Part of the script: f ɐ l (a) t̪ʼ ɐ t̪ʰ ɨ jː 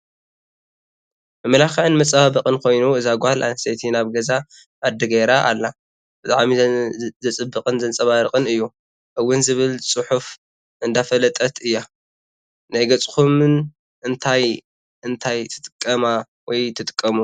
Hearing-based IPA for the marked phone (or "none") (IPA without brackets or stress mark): ɐ